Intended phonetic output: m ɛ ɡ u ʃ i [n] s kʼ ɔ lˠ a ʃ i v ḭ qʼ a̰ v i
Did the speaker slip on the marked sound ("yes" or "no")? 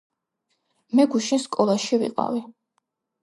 no